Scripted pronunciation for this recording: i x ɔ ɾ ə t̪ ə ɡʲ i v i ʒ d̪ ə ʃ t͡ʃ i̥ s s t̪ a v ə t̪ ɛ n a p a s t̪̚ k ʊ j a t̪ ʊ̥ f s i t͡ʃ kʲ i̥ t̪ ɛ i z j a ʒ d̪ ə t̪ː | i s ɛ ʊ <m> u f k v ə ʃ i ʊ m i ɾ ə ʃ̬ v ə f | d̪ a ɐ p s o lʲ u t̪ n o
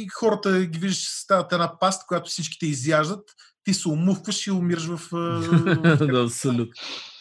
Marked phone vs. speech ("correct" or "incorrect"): correct